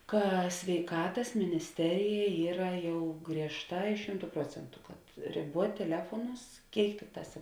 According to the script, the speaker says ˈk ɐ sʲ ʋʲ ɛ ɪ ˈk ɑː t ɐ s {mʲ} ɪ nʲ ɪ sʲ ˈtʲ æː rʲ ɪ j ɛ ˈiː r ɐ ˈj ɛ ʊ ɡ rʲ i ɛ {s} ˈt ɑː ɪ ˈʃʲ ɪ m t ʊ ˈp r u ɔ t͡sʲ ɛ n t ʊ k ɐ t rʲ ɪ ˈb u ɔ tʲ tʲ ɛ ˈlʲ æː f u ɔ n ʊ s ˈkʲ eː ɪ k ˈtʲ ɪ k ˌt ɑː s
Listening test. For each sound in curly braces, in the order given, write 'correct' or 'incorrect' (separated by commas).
correct, incorrect